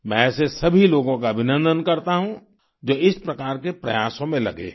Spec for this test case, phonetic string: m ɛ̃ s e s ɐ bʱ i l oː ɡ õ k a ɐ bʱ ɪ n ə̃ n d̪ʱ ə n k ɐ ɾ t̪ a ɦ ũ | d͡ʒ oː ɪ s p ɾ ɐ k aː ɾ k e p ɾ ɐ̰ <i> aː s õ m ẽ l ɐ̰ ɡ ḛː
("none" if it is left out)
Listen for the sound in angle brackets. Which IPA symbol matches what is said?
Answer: j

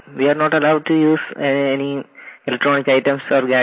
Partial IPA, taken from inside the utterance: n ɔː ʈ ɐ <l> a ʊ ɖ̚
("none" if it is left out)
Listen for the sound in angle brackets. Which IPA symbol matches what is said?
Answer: l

